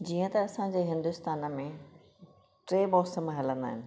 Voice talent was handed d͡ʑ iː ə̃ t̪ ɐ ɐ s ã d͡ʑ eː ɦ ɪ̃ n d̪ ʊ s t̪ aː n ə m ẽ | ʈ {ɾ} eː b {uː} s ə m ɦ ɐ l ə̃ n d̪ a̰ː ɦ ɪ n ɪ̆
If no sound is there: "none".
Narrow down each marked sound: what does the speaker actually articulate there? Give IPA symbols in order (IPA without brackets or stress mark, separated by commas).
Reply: ɾ, ɔː